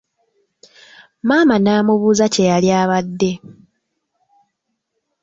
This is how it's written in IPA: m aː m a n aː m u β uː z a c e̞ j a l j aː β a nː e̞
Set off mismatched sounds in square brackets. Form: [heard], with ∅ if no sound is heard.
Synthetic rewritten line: m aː m a n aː m u β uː z a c e̞ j a l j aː β a [dː] e̞